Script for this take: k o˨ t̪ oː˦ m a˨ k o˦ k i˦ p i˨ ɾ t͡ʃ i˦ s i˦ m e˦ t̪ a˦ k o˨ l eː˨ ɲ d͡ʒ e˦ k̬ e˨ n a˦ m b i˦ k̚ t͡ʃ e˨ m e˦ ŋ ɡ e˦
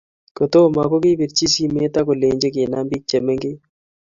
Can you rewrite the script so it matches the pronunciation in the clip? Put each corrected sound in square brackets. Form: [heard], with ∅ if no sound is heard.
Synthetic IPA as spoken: k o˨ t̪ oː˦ m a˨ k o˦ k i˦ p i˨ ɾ t͡ʃ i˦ s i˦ m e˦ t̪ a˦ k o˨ l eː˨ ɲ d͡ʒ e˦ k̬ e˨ n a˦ m b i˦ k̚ t͡ʃ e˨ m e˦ ŋ ɡ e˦